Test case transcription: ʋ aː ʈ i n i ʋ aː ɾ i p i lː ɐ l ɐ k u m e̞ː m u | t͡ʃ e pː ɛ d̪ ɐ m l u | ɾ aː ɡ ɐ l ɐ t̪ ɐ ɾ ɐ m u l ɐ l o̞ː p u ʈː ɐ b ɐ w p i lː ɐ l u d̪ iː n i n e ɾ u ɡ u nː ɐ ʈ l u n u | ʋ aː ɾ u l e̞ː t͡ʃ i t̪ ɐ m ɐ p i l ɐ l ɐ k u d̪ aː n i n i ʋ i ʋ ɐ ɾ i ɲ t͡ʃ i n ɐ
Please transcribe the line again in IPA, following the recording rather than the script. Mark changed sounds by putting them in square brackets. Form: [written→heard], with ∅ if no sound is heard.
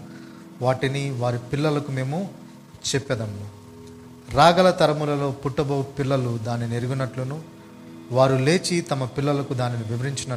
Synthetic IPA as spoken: ʋ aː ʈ i n i ʋ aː ɾ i p i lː ɐ l ɐ k u m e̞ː m u | t͡ʃ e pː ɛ d̪ ɐ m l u | ɾ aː ɡ ɐ l ɐ t̪ ɐ ɾ ɐ m u l ɐ l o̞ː p u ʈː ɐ b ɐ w p i lː ɐ l u d̪ [iː→aː] n i n e ɾ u ɡ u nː ɐ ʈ l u n u | ʋ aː ɾ u l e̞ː t͡ʃ i t̪ ɐ m ɐ p i [l→lː] ɐ l ɐ k u d̪ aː n i n i ʋ i ʋ ɐ ɾ i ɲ t͡ʃ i n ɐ